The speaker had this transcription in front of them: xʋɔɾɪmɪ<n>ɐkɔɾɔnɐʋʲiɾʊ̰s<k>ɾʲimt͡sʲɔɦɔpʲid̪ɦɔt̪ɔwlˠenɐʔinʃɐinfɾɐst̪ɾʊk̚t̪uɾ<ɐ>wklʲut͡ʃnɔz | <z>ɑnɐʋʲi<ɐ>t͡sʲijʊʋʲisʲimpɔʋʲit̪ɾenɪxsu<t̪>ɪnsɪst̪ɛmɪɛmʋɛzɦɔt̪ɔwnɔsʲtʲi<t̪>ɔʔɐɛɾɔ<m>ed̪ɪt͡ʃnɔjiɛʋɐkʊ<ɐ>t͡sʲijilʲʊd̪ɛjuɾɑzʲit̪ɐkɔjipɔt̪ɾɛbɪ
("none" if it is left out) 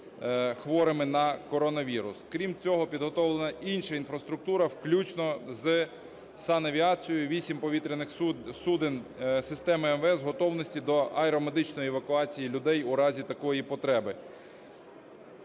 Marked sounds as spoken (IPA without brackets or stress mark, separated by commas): n, k, ɐ, s, ɑ, d̪, d̪, m, ɑ